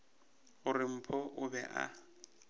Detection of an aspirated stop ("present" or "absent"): present